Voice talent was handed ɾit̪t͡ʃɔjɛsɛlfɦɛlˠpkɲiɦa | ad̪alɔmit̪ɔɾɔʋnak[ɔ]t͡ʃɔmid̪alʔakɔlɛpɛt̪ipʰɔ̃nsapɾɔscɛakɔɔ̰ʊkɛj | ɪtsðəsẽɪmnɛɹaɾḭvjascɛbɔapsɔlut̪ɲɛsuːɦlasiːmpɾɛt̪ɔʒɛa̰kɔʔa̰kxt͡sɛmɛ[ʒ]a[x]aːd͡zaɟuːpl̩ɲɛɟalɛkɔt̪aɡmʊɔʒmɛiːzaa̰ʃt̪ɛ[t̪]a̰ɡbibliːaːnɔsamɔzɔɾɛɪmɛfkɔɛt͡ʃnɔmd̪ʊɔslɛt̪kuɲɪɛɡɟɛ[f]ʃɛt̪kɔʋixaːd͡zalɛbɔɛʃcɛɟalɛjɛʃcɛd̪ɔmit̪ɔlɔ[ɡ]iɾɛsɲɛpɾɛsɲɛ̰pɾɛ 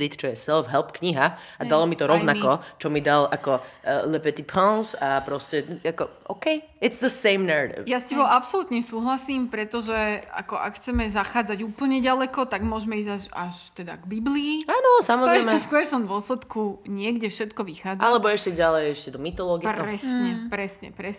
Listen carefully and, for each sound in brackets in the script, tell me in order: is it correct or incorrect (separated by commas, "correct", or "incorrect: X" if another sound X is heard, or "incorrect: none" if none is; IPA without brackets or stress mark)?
correct, incorrect: z, correct, incorrect: d̪, correct, correct